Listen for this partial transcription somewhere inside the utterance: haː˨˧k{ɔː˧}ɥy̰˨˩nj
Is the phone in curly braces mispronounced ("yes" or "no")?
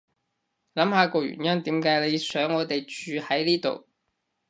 no